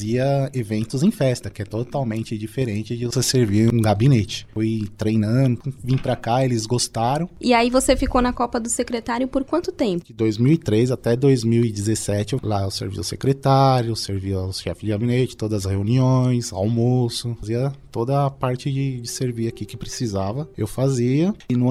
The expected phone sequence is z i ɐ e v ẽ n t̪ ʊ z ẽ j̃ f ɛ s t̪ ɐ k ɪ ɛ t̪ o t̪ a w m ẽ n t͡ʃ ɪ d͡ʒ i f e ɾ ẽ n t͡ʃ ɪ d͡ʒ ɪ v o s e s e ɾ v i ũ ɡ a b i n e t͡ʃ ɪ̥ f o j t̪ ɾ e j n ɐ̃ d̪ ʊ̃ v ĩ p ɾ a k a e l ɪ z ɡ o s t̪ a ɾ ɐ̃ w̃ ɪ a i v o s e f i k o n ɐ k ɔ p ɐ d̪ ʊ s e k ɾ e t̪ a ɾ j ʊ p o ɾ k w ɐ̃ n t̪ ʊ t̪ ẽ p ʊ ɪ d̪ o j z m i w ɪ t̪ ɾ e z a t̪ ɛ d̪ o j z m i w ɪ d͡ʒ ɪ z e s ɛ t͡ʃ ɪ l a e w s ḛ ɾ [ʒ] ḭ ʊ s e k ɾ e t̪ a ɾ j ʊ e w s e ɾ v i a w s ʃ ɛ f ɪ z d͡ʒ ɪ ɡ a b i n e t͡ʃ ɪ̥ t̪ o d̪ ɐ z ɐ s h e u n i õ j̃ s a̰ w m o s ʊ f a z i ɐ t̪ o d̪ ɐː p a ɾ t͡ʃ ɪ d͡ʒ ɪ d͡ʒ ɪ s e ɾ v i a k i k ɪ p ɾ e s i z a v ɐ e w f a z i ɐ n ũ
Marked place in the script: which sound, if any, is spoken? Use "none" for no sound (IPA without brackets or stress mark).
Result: v